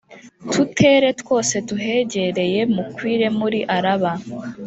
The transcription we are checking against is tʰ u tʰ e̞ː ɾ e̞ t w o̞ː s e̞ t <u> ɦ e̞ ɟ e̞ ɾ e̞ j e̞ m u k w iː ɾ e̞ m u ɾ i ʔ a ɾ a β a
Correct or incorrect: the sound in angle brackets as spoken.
correct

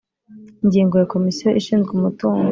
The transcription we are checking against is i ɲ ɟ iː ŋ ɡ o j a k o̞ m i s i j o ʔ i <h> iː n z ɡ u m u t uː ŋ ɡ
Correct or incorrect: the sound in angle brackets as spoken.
incorrect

